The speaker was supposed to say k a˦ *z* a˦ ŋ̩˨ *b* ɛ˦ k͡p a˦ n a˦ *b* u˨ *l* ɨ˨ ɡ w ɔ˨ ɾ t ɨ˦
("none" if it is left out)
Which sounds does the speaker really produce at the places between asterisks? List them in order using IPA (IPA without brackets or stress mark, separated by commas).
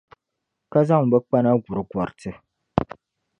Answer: z, b, ɡ, ɾ